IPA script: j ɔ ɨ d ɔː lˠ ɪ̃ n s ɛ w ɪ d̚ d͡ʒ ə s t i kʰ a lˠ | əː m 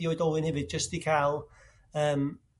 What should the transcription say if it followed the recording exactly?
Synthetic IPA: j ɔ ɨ d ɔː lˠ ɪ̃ n h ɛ v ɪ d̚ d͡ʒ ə s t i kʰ a lˠ | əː m